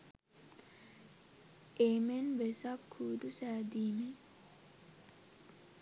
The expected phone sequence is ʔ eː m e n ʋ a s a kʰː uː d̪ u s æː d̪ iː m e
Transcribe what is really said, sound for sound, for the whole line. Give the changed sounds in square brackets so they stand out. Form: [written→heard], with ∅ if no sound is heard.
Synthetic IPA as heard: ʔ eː m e n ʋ [a→e] s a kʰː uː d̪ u s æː d̪ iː m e